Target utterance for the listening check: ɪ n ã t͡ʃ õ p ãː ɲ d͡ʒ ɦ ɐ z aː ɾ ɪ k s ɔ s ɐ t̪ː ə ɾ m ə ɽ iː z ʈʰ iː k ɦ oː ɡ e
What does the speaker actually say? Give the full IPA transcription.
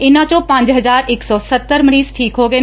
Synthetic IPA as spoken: ɪ n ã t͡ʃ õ p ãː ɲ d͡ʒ ɦ ɐ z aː ɾ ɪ k s ɔ s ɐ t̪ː ə ɾ m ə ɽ iː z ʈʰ iː k ɦ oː ɡ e